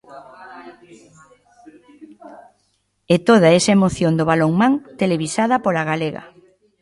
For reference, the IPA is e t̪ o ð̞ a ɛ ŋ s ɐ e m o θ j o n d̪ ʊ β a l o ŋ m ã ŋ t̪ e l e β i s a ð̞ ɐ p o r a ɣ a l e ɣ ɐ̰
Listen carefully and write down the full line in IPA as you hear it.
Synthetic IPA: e t̪ o ð̞ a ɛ s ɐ e m o θ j o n d̪ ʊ β a l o ŋ m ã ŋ t̪ e l e β i s a ð̞ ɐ p o l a ɣ a l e ɣ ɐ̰

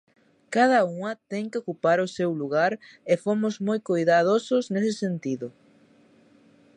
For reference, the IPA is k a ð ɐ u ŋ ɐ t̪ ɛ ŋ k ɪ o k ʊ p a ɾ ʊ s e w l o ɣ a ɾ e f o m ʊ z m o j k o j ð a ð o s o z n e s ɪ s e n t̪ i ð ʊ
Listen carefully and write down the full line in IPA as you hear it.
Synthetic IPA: k a ð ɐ u ŋ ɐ t̪ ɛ ŋ k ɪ o k u p a ɾ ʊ s e w l u ɣ a ɾ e f o m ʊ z m o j k o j ð a ð o s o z n e s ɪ s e n t̪ i ð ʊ

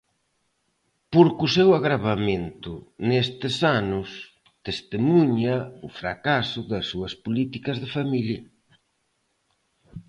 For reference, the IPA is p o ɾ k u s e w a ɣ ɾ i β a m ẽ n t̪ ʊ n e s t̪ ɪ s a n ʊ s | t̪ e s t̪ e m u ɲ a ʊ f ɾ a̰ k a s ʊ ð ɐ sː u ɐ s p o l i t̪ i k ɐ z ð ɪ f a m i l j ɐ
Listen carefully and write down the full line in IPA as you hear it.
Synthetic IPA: p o ɾ k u s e w a ɣ ɾ a β a m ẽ n t̪ ʊ n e s t̪ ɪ s a n ʊ s | t̪ e s t̪ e m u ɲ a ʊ f ɾ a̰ k a s ʊ ð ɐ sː u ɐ s p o l i t̪ i k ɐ z ð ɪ f a m i l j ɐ

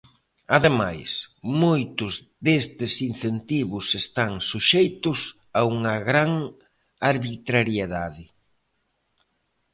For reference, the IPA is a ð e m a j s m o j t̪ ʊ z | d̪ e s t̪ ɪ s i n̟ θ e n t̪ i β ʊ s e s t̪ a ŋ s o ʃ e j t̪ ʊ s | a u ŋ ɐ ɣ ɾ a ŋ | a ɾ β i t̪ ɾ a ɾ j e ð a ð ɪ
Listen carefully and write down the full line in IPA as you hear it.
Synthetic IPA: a ð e m a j s m o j t̪ ʊ z | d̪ e s t̪ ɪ s i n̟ θ e n t̪ i β ʊ s e s t̪ a ŋ s u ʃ e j t̪ ʊ s | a u ŋ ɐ ɣ ɾ a ŋ | a ɾ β i t̪ ɾ a ɾ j e ð a ð ɪ

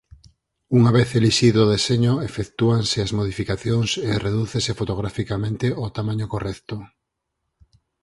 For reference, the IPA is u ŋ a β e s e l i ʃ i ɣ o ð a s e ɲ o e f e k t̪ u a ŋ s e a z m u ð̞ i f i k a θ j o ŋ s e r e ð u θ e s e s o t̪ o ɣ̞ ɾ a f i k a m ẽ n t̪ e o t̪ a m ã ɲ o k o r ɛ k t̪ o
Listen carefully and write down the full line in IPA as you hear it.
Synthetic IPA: u ŋ a β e θ e l i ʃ i ð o ð e s e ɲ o e f e k t̪ u a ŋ s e a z m o ð̞ i f i k a θ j o ŋ s e r e ð u θ e s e f o t̪ o ɣ̞ ɾ a f i k a m ẽ n t̪ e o t̪ a m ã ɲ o k o r ɛ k t̪ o

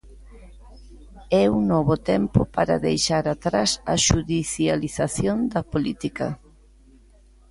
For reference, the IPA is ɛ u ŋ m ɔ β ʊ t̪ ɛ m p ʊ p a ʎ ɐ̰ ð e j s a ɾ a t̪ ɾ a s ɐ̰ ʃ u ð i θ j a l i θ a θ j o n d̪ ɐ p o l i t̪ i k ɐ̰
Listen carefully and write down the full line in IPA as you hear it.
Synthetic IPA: ɛ u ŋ n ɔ β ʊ t̪ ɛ m p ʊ p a ɾ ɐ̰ ð e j ʃ a ɾ a t̪ ɾ a s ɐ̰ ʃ u ð i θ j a l i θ a θ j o n d̪ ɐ p o l i t̪ i k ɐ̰

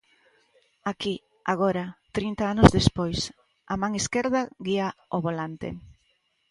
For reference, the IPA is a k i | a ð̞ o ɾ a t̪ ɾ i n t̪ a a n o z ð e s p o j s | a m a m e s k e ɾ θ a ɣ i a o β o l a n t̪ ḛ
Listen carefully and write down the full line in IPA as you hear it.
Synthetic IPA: a k i | a ɣ̞ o ɾ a t̪ ɾ i n t̪ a a n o z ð e s p o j s | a m a ŋ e s k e ɾ ð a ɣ i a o β o l a n t̪ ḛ

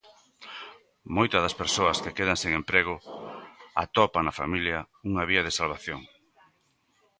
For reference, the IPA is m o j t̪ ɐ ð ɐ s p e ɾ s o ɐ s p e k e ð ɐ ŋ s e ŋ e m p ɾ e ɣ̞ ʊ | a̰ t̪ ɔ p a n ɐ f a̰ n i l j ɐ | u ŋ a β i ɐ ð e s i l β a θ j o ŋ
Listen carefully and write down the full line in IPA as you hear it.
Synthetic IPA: m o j t̪ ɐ ð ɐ s p e ɾ s o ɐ s k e k e ð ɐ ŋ s e ŋ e m p ɾ e ɣ̞ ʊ | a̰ t̪ ɔ p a n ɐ f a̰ m i l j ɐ | u ŋ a β i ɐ ð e s a l β a θ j o ŋ

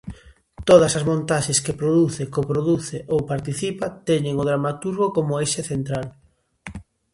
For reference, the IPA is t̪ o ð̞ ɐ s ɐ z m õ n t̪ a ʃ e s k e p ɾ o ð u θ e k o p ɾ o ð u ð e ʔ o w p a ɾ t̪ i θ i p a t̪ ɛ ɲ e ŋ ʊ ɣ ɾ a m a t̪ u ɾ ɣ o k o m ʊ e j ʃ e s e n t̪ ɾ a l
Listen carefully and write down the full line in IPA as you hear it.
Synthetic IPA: t̪ o ð̞ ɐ s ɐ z m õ n t̪ a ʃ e s k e p ɾ o ð u θ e k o p ɾ o ð u θ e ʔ o w p a ɾ t̪ i θ i p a t̪ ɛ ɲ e ŋ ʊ ð ɾ a m a t̪ u ɾ ɣ o k o m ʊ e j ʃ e θ e n t̪ ɾ a l

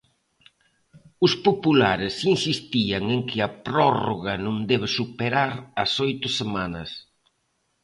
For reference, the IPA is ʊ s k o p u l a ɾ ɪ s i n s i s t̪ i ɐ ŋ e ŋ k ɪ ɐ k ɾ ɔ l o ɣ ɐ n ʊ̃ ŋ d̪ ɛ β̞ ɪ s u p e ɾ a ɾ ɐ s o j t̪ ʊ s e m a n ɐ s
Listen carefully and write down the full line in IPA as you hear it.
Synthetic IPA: ʊ s p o p u l a ɾ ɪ s i n s i s t̪ i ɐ ŋ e ŋ k ɪ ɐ p ɾ ɔ r o ɣ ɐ n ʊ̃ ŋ d̪ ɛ β̞ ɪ s u p e ɾ a ɾ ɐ s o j t̪ ʊ s e m a n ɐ s

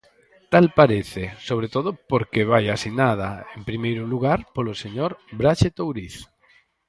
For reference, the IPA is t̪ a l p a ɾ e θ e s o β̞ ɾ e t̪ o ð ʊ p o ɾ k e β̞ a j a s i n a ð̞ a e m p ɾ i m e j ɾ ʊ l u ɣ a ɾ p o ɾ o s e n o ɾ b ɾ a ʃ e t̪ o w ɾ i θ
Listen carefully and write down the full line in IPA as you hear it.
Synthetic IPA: t̪ a l p a ɾ e θ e s o β̞ ɾ e t̪ o ð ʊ p o ɾ k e β̞ a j a s i n a ð̞ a e m p ɾ i m e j ɾ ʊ l u ɣ a ɾ p o l o s e ɲ o ɾ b ɾ a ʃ e t̪ o w ɾ i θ

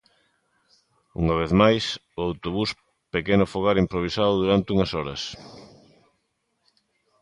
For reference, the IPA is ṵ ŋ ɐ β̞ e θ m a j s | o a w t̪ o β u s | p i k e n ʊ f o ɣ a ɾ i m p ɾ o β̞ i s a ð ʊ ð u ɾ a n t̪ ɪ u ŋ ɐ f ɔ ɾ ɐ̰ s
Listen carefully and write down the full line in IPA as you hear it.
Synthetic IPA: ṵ ŋ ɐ β̞ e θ m a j s | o a w t̪ o β u s | p e k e n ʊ f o ɣ a ɾ i m p ɾ o β̞ i s a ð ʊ ð u ɾ a n t̪ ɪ u ŋ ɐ s ɔ ɾ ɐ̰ s

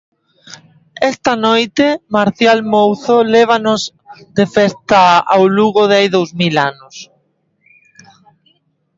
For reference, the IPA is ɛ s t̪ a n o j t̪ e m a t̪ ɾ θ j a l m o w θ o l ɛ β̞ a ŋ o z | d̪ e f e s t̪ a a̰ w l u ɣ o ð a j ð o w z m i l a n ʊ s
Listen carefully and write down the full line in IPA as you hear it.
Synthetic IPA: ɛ s t̪ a n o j t̪ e m a ɾ θ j a l m o w θ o l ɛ β̞ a n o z | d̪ e f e s t̪ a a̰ w l u ɣ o ð a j ð o w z m i l a n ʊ s

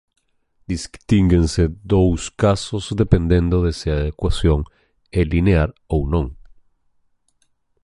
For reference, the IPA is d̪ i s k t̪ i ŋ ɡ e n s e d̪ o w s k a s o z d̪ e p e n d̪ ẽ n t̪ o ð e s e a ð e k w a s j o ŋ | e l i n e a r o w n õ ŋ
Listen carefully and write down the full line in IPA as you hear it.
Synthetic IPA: d̪ i s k t̪ i ŋ ɡ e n s e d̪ o w s k a s o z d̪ e p e n d̪ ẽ n d̪ o ð e s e a ð e k w a s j o ŋ | e l i n e a ɾ o w n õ ŋ

